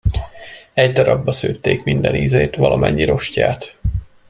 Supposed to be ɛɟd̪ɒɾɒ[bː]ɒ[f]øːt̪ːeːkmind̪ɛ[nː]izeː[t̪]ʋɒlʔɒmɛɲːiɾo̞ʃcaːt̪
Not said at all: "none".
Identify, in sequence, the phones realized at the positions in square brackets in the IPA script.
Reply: bː, s, n, t̪

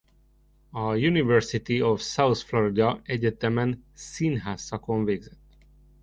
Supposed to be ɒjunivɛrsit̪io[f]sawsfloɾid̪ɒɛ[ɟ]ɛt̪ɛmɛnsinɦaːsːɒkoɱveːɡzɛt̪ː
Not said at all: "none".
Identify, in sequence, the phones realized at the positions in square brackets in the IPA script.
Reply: f, ɟ

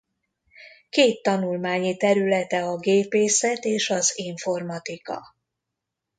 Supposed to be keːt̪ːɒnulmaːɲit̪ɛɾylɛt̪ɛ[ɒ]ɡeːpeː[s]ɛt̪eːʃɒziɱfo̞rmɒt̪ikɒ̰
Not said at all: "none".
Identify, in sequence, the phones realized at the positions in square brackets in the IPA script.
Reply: ɒ, s

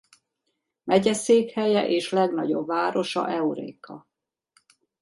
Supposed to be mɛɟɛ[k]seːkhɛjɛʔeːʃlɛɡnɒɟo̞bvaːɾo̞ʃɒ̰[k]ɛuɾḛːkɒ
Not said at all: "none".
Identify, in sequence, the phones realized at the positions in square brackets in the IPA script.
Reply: none, ʔ

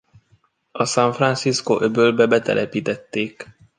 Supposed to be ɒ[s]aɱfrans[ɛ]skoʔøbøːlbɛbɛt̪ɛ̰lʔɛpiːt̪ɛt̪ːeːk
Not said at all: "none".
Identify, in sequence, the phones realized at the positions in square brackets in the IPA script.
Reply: s, i

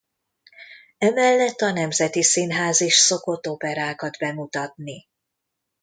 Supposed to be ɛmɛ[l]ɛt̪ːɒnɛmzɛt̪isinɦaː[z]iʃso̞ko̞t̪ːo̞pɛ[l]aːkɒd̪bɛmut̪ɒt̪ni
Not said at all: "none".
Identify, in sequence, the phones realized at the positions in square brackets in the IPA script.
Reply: lː, z, ɾ

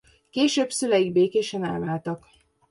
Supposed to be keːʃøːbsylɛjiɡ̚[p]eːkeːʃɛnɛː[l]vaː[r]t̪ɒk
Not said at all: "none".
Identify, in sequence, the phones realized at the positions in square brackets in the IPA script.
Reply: b, l, l

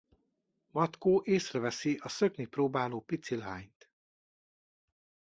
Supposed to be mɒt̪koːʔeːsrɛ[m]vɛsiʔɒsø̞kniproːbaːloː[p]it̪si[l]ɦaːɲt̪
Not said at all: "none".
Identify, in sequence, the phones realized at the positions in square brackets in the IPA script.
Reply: none, p, l

